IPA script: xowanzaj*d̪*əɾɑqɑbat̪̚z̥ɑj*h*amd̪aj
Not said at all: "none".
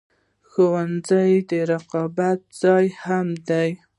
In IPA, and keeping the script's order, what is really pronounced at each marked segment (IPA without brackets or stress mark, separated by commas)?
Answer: d̪, h